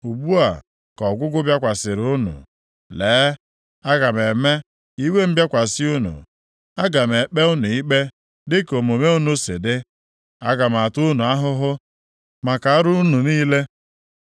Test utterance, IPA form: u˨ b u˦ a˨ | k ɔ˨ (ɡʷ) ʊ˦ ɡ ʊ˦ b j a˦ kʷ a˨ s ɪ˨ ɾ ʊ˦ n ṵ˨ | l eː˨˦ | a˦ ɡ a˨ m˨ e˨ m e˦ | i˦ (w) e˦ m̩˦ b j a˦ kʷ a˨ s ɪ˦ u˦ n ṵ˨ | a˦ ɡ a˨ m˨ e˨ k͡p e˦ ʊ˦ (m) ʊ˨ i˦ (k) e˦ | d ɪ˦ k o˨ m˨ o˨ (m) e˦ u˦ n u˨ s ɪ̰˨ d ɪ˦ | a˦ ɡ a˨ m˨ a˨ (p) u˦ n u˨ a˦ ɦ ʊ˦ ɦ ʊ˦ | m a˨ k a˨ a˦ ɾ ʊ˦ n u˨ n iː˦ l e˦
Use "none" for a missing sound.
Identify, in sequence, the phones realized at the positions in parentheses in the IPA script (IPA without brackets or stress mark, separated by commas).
ɡʷ, w, n, k͡p, m, t